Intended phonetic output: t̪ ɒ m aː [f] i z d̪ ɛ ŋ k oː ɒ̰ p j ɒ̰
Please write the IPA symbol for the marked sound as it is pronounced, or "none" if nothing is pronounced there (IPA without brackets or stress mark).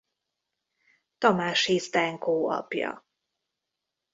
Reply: ʃ